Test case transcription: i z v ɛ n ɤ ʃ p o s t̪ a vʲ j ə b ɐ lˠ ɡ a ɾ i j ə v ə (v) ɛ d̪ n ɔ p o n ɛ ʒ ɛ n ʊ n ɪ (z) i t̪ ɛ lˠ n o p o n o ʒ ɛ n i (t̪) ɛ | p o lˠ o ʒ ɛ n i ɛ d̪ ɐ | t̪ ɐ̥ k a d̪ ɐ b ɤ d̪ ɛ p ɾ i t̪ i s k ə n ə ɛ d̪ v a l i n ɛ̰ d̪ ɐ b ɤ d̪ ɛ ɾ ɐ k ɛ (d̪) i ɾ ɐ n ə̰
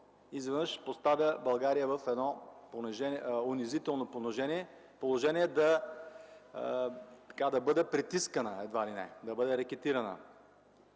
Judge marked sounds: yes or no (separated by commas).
no, yes, no, no